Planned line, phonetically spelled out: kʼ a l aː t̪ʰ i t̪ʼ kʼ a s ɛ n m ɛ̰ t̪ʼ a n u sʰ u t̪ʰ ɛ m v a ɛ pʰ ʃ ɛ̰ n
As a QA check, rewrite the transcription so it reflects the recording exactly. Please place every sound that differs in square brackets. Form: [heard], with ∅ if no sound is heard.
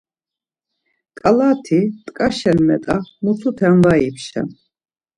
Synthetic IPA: kʼ a l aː t̪ʰ i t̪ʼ kʼ a [ʃ] ɛ n m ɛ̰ t̪ʼ a [m] u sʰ u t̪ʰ ɛ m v a [i] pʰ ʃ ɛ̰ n